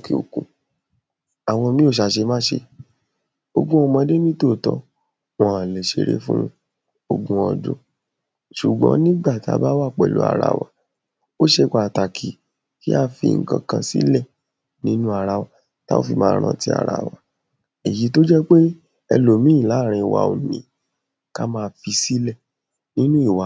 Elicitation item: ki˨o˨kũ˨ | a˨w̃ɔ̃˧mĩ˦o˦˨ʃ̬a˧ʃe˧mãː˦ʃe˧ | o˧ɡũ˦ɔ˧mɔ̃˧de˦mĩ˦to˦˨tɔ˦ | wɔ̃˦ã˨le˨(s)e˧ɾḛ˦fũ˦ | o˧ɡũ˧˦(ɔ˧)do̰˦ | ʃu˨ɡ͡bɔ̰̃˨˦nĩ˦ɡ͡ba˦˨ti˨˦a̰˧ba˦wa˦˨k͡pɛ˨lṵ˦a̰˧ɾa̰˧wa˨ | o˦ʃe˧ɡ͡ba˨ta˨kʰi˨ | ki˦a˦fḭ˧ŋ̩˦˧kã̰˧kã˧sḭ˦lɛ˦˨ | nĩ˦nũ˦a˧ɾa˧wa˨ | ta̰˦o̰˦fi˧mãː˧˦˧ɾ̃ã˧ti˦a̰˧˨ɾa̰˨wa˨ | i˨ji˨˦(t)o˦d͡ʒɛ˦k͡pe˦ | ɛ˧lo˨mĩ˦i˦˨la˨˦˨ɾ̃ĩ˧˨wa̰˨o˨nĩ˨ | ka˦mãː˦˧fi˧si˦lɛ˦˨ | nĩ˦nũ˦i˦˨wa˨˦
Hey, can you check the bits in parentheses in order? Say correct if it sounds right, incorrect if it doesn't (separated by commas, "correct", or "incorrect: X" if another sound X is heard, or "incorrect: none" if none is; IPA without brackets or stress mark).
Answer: incorrect: ʃ, correct, correct